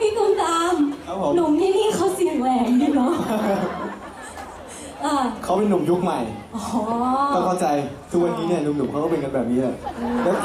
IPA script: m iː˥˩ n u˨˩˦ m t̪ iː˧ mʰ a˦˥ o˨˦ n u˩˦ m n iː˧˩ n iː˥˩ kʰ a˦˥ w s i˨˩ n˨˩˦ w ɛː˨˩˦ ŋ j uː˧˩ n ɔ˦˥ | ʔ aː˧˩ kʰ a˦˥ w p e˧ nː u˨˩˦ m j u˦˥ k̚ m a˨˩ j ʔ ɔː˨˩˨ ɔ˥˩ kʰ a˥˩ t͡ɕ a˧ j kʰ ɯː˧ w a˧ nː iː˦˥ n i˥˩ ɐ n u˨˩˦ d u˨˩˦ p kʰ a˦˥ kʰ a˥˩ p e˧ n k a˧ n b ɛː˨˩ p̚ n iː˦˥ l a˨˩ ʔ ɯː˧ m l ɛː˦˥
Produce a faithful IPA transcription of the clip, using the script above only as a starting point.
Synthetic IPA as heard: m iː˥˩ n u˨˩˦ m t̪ aː˧ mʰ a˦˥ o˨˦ n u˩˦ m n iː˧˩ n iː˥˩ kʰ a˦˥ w s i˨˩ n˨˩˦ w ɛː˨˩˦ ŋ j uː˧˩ n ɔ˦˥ | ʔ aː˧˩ kʰ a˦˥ w p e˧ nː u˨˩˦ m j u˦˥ k̚ m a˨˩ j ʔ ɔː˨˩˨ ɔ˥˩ kʰ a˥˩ t͡ɕ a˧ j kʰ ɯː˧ w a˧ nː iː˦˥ n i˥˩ ɐ n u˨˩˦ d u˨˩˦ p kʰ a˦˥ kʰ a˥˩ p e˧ n k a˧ n b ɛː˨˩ p̚ n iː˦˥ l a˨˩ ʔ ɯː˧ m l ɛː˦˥